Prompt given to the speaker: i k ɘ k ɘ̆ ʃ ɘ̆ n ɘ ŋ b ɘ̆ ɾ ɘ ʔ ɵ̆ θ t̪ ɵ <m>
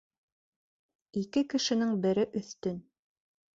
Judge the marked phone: incorrect: n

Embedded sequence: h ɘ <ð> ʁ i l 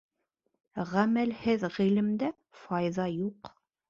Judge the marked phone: correct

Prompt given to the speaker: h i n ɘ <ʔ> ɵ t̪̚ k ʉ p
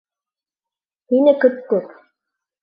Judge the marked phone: incorrect: k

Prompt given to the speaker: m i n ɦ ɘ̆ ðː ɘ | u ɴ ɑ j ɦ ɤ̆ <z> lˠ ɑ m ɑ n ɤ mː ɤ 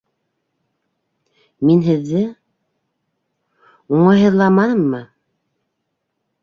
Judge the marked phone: incorrect: ð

